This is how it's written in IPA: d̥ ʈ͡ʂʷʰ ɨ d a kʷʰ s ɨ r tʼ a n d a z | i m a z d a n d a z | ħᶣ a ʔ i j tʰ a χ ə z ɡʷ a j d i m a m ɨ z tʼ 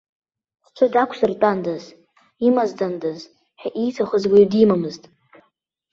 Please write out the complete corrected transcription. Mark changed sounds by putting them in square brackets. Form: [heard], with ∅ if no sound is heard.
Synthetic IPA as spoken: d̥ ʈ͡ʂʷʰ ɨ d a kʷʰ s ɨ r tʼ a n d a z | i m a z d a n d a z | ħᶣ a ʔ i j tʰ a χ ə z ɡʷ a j d i m a m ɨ z tʼ